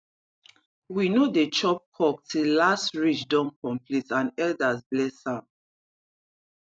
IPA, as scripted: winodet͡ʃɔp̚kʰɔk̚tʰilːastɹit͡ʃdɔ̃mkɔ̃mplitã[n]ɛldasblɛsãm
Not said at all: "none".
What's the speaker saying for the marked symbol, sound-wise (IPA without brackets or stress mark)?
n